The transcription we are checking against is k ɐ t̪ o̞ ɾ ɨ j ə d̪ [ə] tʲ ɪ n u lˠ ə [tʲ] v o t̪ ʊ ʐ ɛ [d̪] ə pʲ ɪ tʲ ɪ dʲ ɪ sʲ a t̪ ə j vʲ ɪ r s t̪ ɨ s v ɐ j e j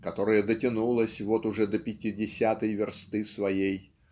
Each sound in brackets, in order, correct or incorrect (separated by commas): correct, incorrect, correct